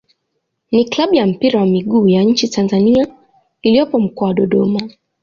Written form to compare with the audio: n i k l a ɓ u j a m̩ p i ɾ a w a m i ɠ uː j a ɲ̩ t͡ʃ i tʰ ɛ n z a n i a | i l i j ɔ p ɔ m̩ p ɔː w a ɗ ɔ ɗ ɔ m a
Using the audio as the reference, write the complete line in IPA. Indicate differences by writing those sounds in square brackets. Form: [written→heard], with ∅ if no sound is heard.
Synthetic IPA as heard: n i k l a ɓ u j a m̩ p i ɾ a w a m i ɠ uː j a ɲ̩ t͡ʃ i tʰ [ɛ→a] n z a n i a | i l i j ɔ p ɔ m̩ [p→k] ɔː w a ɗ ɔ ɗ ɔ m a